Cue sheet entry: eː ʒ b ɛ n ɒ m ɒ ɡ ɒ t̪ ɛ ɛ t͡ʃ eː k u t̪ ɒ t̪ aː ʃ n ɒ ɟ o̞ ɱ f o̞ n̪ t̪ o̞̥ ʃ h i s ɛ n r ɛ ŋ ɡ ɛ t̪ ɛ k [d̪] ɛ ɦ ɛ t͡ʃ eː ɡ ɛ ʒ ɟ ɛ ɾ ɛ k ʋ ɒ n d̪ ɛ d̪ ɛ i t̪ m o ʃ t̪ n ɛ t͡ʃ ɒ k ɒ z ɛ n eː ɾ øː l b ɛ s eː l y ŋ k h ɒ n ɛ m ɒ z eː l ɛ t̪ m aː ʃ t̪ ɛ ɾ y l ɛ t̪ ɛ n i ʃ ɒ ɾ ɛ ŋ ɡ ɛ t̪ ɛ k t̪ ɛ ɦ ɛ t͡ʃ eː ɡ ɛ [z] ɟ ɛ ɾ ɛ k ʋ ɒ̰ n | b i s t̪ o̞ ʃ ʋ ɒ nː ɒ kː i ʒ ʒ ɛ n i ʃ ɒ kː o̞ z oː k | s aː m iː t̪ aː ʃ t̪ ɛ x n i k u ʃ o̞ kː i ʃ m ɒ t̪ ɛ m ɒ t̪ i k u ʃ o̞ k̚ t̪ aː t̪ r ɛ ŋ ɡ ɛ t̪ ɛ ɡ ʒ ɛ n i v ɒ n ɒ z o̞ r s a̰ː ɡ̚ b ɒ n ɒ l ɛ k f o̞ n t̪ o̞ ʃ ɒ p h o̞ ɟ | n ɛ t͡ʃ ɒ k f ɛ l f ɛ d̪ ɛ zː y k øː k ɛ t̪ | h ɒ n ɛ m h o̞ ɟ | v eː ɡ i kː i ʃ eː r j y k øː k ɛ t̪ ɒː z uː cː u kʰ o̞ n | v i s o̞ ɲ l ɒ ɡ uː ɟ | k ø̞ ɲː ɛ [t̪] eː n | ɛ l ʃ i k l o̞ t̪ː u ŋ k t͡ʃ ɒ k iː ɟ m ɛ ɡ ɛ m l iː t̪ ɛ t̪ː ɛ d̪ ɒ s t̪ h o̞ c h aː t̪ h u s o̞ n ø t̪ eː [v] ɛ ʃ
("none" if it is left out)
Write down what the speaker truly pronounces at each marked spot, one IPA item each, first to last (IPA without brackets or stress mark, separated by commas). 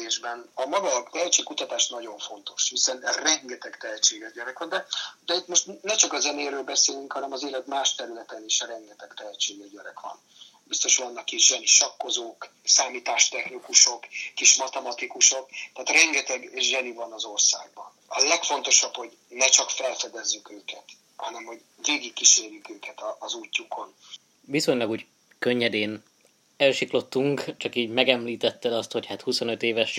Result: t̪, ʒ, d̪, v